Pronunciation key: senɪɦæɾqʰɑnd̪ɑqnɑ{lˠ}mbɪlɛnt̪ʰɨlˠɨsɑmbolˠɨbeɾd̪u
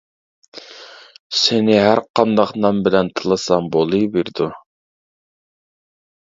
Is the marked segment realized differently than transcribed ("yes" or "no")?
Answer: yes